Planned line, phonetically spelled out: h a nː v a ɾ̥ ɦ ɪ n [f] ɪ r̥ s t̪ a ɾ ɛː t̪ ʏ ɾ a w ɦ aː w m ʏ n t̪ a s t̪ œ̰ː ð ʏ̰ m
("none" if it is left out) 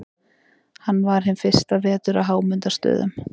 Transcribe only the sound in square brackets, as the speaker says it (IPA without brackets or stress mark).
f